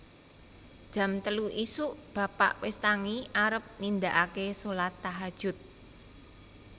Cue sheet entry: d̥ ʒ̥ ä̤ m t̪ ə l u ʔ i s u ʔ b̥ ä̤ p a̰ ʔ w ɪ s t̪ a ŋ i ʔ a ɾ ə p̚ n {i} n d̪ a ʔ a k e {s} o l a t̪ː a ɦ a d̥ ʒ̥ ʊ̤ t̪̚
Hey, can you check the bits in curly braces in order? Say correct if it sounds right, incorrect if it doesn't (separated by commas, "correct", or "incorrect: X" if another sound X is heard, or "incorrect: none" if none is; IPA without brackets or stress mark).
correct, correct